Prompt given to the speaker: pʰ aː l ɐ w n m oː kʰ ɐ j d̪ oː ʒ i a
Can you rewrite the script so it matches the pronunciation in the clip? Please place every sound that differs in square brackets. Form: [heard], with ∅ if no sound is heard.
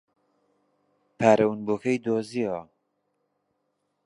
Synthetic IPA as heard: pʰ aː [ɾ] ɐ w n [b] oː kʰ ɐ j d̪ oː [z] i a